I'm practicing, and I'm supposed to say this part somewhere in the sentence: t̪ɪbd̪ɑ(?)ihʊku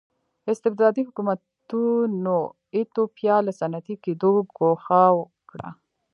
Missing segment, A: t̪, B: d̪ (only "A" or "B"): B